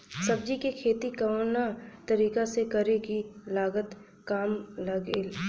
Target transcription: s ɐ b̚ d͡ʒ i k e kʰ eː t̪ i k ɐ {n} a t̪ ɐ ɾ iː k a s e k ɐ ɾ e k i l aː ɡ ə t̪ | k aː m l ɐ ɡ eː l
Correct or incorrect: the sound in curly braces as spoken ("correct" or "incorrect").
correct